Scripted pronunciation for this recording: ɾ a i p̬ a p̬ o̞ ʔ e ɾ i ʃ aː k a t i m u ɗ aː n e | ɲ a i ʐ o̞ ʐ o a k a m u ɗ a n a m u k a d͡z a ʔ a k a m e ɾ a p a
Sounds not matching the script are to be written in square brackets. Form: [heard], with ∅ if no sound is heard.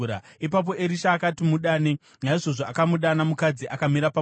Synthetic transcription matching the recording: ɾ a i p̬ a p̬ o̞ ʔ e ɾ i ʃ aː k a t i m u ɗ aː n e | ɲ a i ʐ o̞ ʐ o a k a m u ɗ a n a m u k a d͡z [i] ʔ a k a m [i] ɾ a p a